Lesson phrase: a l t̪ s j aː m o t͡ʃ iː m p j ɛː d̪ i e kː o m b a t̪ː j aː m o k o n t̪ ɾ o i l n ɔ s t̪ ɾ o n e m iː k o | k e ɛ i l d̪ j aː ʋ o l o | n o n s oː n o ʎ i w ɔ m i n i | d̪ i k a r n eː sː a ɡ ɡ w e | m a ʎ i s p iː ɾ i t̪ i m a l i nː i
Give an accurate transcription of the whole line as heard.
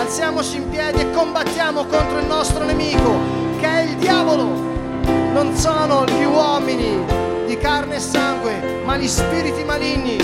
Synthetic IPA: a l t̪ s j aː m o t͡ʃ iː m p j ɛː d̪ i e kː o m b a t̪ː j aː m o k o n t̪ ɾ o i l n ɔ s t̪ ɾ o n e m iː k o | k e ɛ i l d̪ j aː v o l o | n o n s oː n o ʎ i w ɔ m i n i | d̪ i k a r n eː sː a ŋ ɡ w e | m a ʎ i s p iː ɾ i t̪ i m a l i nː i